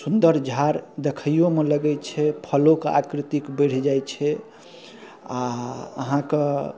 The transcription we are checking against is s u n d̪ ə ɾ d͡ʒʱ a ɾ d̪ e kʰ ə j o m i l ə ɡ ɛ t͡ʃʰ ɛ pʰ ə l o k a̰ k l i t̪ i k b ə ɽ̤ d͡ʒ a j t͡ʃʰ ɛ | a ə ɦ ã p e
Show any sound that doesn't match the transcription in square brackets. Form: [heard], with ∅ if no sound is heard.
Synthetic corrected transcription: s u n d̪ ə ɾ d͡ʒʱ a ɾ d̪ e kʰ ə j o m [e] l ə ɡ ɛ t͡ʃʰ ɛ pʰ ə l o k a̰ k [ɾ] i t̪ i k b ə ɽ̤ d͡ʒ a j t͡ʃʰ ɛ | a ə ɦ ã [k] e